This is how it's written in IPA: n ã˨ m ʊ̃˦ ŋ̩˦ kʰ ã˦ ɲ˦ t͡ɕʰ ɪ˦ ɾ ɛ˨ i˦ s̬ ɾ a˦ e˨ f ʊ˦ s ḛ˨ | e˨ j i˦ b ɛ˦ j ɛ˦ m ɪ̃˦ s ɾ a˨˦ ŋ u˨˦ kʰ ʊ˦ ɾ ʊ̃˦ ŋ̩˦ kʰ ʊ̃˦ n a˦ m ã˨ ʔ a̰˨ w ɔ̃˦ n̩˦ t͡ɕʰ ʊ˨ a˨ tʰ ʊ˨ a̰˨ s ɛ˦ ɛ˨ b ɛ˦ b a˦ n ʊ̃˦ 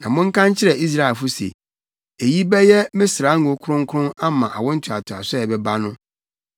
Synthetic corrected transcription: n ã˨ m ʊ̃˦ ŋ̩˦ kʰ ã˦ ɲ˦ t͡ɕʰ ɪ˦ ɾ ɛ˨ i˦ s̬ ɾ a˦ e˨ f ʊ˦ s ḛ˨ | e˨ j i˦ b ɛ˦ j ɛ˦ m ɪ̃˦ s ɾ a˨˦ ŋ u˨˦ kʰ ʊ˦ ɾ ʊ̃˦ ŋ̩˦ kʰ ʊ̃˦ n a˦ m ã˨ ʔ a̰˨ w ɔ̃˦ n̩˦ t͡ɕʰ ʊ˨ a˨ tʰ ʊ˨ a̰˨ s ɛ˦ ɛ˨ b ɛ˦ b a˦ n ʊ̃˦